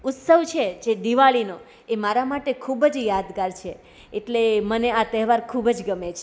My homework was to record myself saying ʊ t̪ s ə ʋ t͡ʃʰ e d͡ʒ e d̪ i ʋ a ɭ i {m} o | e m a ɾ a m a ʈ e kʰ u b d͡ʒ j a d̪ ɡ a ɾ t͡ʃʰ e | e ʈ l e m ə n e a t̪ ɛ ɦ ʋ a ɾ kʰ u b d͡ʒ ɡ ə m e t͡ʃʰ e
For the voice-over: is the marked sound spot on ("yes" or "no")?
no